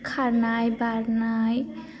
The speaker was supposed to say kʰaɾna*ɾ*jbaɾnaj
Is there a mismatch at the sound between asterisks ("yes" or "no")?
yes